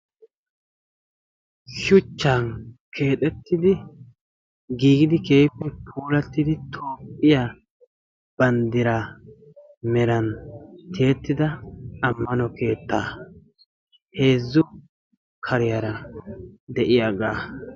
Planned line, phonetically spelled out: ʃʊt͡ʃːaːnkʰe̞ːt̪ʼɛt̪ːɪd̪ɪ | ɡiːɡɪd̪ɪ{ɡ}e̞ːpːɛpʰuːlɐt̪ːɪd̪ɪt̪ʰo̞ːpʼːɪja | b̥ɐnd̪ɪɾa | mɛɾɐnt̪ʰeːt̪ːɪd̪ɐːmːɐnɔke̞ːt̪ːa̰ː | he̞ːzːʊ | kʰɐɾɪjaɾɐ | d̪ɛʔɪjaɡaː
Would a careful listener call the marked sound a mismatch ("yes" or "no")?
yes